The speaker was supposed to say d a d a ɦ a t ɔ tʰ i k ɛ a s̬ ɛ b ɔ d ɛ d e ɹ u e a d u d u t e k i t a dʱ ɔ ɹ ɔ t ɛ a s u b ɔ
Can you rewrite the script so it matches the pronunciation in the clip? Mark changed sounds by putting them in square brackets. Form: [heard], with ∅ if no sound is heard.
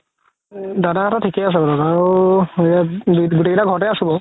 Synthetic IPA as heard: d a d a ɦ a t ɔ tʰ i k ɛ a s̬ ɛ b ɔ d [a] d [a] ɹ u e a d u [ɡ] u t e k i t a [ɡʱ] ɔ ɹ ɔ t ɛ a s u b ɔ